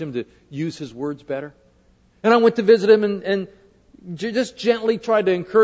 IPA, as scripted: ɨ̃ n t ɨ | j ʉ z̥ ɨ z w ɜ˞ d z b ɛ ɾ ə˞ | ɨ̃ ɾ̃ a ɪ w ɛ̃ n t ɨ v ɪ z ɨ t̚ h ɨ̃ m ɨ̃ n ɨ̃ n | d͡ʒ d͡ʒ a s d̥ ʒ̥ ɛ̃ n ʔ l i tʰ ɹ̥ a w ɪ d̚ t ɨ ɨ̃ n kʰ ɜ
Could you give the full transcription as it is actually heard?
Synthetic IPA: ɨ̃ m t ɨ | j ʉ z̥ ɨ z w ɜ˞ d z b ɛ ɾ ə˞ | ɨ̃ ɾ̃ a ɪ w ɛ̃ n t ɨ v ɪ z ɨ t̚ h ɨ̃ m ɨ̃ n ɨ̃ n | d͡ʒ d͡ʒ ʌ s d̥ ʒ̥ ɛ̃ n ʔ l i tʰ ɹ̥ a ɪ d̚ t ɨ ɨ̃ n kʰ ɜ